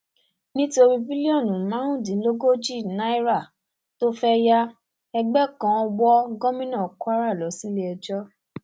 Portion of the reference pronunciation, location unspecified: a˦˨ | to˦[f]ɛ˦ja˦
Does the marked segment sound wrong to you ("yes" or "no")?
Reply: no